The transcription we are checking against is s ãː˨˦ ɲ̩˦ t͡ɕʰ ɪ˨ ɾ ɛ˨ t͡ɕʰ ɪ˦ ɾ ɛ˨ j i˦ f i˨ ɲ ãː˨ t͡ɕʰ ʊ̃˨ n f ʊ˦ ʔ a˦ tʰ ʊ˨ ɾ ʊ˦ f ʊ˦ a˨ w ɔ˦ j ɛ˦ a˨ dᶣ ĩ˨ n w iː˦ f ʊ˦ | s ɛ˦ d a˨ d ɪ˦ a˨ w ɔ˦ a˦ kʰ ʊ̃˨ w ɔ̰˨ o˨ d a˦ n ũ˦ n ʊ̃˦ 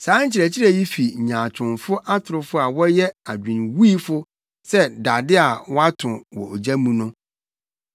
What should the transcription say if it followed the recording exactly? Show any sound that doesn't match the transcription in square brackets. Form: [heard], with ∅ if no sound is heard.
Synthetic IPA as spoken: s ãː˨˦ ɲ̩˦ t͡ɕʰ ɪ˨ ɾ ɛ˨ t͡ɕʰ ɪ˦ ɾ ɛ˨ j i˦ f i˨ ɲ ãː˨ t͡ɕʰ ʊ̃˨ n f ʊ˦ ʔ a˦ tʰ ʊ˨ ɾ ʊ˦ f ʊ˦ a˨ w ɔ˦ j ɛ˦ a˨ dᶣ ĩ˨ n w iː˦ f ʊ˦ | s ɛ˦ d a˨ d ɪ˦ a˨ w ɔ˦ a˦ [tʰ] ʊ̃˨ w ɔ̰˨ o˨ [d͡ʑ] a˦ [m] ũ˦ n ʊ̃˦